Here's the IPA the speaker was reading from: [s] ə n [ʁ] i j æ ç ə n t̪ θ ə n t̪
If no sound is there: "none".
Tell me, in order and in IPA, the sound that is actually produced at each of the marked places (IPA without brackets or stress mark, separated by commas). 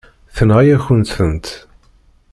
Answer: θ, ʁ